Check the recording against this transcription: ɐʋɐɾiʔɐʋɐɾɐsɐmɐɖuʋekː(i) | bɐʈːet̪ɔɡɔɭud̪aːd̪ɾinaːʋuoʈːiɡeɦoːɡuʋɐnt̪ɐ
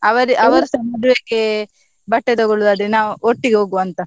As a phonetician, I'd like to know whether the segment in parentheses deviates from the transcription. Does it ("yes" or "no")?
yes